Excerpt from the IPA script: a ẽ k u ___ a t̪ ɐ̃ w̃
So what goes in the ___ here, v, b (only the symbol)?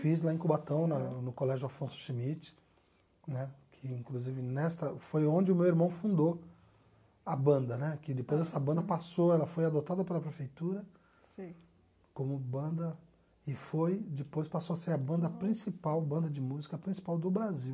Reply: b